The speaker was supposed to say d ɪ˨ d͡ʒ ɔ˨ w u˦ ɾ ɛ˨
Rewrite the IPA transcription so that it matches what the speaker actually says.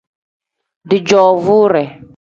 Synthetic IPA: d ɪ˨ d͡ʒ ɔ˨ v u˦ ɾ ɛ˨